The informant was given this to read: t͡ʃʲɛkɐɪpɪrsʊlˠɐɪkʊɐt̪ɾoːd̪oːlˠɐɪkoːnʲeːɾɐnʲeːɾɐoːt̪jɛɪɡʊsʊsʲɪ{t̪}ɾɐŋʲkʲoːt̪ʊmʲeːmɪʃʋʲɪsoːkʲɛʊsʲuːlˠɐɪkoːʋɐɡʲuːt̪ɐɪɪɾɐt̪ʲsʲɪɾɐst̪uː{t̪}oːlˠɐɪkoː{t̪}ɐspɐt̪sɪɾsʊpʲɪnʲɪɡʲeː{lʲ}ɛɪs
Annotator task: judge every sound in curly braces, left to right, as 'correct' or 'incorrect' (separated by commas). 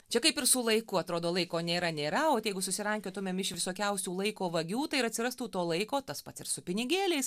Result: incorrect, correct, correct, correct